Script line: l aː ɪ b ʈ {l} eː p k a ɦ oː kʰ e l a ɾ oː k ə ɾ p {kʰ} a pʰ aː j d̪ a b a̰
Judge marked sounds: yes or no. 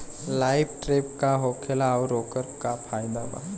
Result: no, no

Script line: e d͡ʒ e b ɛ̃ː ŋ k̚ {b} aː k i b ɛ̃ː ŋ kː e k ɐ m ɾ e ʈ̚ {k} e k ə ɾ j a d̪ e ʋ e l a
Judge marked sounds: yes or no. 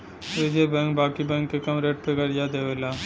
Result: yes, no

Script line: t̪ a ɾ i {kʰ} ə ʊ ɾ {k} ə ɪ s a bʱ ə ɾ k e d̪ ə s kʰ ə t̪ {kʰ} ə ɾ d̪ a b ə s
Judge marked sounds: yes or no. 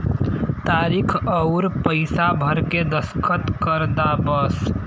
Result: yes, no, no

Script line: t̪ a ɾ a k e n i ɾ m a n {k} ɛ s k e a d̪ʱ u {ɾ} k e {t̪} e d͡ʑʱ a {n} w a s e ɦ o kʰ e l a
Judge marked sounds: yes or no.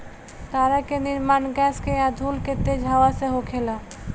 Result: no, no, yes, no

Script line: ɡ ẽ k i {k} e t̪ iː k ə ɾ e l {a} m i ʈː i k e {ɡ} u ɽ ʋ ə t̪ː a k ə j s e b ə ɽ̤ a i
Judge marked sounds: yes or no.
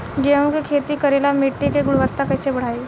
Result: no, yes, yes

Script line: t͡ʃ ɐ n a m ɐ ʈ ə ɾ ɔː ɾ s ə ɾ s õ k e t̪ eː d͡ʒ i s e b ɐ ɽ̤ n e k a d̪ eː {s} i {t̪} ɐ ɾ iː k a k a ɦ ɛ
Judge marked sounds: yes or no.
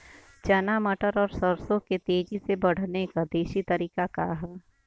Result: no, yes

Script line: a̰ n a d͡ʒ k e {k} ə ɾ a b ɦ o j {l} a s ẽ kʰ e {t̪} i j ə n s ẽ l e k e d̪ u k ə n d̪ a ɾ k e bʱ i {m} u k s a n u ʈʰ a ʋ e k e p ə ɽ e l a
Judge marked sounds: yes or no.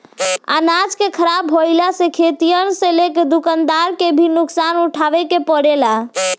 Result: no, yes, yes, no

